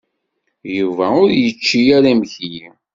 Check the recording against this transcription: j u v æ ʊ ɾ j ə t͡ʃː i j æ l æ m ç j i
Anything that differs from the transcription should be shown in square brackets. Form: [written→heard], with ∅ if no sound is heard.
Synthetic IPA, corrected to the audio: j u v æ ʊ ɾ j ə t͡ʃː i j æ [l→ɾ] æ m ç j i